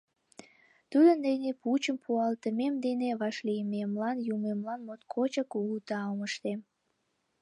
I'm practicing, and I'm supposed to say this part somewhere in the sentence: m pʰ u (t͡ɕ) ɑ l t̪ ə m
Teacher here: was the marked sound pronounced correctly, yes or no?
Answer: no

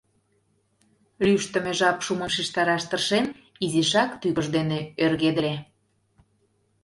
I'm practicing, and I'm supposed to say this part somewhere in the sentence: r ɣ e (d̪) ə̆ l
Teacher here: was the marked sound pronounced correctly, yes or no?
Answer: yes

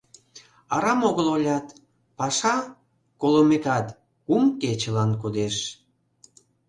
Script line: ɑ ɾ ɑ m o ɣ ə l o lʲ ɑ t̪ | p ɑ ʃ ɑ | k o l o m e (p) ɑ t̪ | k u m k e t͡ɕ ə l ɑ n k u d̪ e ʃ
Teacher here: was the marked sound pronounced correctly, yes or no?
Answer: no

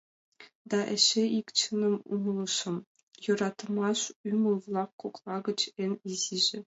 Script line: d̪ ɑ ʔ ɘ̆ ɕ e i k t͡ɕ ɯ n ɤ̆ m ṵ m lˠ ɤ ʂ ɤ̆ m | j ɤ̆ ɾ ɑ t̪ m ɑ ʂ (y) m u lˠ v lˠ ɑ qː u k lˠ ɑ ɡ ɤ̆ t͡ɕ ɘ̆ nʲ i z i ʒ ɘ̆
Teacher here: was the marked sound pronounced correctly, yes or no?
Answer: yes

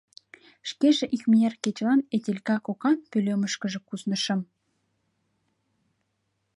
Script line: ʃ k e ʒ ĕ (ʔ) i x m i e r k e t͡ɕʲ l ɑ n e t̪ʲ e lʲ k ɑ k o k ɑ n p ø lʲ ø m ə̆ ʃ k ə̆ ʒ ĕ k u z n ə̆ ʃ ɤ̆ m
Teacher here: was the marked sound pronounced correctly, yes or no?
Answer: yes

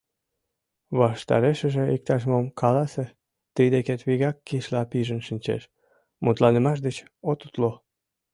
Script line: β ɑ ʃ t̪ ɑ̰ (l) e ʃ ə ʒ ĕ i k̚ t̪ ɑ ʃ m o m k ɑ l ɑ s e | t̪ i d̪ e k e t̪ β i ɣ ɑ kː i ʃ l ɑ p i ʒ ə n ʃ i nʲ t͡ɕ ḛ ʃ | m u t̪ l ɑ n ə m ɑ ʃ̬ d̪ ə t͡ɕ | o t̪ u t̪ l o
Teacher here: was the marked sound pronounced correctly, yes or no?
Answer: no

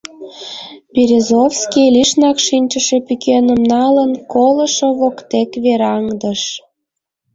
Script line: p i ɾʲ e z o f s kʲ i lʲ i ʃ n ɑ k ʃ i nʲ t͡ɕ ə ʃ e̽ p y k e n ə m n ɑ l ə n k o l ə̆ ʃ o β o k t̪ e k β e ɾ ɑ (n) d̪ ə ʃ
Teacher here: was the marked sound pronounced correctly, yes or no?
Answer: no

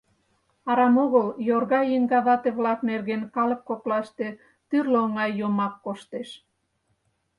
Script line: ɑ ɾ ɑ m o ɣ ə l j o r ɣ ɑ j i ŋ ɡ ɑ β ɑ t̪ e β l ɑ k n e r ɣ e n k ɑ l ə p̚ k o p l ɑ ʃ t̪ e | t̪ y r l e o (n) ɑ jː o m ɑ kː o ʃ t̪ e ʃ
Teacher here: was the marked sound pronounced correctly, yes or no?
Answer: no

